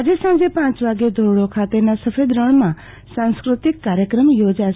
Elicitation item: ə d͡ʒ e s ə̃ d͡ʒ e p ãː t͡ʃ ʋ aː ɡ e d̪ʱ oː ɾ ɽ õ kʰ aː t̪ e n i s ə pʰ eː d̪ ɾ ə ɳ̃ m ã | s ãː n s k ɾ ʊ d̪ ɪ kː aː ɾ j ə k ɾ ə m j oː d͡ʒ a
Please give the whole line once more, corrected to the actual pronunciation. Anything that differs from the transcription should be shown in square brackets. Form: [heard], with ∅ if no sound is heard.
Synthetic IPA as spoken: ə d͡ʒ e s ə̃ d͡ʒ e p ãː t͡ʃ ʋ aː ɡ e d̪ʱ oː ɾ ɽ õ kʰ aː t̪ e n [a] s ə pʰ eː d̪ ɾ ə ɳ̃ m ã | s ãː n s k ɾ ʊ [t̪] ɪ kː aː ɾ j ə k ɾ ə m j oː d͡ʒ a